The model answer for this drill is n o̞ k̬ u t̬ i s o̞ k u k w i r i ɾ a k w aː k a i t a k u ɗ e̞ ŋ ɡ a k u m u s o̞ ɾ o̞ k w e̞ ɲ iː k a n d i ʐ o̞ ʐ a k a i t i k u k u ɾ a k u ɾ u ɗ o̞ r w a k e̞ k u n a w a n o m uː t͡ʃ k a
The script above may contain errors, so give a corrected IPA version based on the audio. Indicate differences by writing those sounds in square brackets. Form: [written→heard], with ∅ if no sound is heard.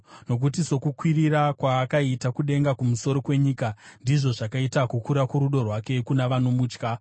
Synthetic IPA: n o̞ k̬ u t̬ i s o̞ k u k w i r i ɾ a k w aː k a i t a k u ɗ e̞ ŋ ɡ a k u m u s o̞ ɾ o̞ k w e̞ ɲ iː k a n d i ʐ o̞ ʐ a k a i t [i→a] k u k u ɾ a k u ɾ u ɗ o̞ r w a k e̞ k u n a [w→ʋ] a n o m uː t͡ʃ k a